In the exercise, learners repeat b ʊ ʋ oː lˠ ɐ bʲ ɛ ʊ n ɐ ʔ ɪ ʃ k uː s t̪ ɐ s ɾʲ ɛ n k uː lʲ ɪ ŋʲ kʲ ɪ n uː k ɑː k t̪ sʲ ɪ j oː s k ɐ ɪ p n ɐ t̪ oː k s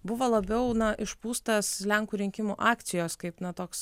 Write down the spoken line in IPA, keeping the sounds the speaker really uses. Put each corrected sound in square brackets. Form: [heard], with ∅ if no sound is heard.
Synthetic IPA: b ʊ ʋ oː lˠ ɐ bʲ ɛ ʊ n ɐ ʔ ɪ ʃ [p] uː s t̪ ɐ s [lʲ] ɛ [ŋ] k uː [ɾʲ] ɪ ŋʲ kʲ ɪ [m] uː [ʔ] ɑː k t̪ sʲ ɪ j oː s k ɐ ɪ p n ɐ t̪ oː k s